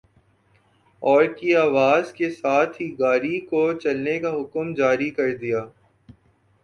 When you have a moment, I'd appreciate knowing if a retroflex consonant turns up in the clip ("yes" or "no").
no